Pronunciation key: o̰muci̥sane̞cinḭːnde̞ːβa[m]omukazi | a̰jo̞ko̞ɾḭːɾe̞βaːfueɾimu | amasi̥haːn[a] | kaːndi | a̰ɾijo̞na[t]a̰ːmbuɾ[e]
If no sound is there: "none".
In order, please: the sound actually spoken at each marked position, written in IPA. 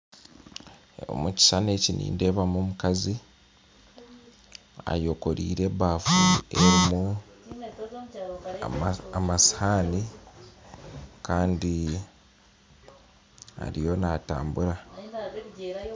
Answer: m, i, t, a

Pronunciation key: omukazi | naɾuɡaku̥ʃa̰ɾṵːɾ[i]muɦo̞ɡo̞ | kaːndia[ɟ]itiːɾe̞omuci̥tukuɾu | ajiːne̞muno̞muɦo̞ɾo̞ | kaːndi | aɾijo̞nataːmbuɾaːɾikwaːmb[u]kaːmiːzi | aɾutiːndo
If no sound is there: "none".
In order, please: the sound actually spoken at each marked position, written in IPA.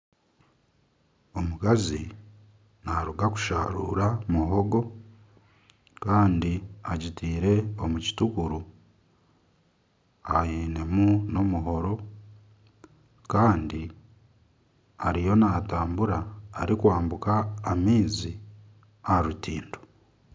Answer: a, ɟ, u

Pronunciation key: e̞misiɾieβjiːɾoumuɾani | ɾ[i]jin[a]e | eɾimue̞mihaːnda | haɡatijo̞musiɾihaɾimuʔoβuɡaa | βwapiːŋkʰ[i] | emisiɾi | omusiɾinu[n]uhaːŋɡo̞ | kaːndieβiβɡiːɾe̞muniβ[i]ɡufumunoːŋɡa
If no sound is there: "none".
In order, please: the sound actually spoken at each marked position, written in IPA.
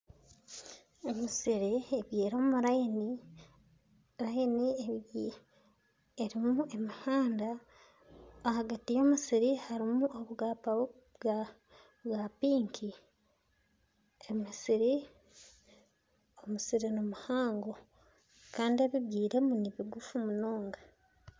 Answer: a, i, i, m, i

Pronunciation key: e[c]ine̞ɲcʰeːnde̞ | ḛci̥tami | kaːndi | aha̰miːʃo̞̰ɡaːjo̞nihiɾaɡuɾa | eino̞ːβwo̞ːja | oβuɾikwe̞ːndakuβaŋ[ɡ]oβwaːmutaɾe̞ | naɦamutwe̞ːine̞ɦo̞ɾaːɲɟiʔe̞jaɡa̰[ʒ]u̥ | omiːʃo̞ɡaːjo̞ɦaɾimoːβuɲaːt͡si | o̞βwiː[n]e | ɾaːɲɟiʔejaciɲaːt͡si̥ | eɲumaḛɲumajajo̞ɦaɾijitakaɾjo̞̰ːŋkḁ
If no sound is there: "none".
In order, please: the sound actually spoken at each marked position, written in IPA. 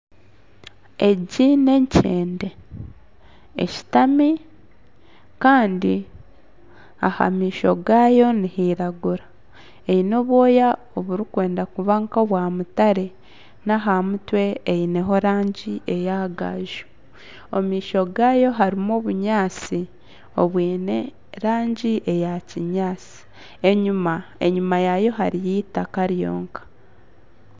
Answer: ɟ, k, ʒ, n

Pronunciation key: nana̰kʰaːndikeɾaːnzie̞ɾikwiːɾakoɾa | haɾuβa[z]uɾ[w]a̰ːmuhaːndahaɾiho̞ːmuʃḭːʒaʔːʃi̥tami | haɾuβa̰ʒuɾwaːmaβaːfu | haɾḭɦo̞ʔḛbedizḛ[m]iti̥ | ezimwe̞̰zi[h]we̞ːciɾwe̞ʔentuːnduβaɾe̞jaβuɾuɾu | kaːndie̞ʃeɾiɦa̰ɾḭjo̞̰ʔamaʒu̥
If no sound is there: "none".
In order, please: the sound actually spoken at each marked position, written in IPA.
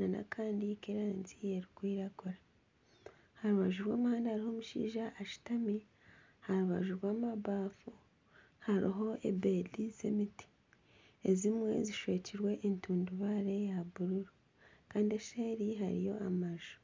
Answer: ʒ, w, m, ʃ

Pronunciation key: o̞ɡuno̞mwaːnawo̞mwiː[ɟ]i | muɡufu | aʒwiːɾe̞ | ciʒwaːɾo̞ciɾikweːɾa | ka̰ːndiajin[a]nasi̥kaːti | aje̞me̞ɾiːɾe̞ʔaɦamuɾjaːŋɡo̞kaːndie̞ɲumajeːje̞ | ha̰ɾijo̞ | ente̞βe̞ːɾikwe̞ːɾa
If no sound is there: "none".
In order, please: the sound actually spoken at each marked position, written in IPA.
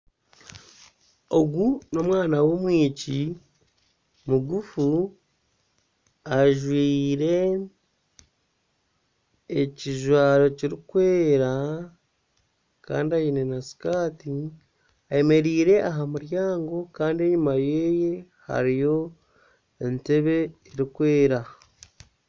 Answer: c, e

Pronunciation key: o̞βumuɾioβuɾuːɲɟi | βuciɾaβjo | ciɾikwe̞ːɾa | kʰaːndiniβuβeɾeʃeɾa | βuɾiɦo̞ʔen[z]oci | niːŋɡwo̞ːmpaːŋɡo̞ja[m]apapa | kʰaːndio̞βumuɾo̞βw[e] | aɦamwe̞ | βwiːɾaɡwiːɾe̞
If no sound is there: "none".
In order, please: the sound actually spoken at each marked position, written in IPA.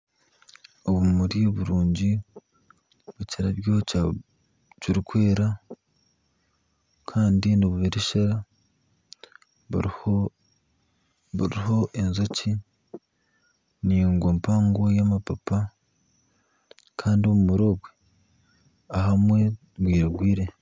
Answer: z, m, e

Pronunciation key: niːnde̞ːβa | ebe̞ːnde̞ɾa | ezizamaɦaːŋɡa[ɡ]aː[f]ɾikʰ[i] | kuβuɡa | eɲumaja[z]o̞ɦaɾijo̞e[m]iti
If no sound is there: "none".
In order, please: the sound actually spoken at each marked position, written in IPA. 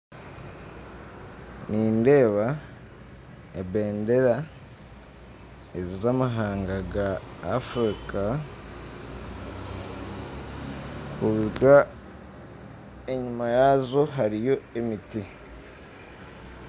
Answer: ɡ, f, a, z, m

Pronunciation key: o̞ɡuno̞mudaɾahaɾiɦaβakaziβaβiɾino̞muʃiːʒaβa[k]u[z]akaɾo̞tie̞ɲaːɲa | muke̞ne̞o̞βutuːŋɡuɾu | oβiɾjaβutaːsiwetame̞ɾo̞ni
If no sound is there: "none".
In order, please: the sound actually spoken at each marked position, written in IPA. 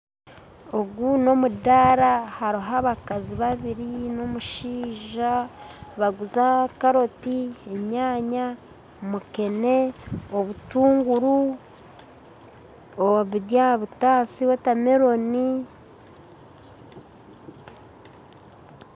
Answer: ɡ, z

